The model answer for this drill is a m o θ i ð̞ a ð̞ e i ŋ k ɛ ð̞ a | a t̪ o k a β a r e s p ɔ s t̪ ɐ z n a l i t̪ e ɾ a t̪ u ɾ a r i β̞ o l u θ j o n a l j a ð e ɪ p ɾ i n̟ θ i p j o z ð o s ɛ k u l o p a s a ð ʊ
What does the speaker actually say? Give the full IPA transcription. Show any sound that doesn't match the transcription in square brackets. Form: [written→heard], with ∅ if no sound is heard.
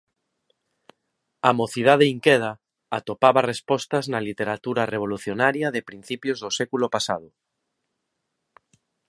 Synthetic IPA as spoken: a m o θ i ð̞ a ð̞ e i ŋ k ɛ ð̞ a | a t̪ o [k→p] a β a r e s p ɔ s t̪ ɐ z n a l i t̪ e ɾ a t̪ u ɾ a r [i→e] β̞ o l u θ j o n a [l→ɾ] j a ð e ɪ p ɾ i n̟ θ i p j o z ð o s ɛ k u l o p a s a ð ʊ